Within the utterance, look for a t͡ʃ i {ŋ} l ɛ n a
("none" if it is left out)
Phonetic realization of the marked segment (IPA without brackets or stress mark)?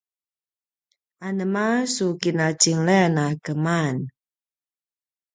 ŋ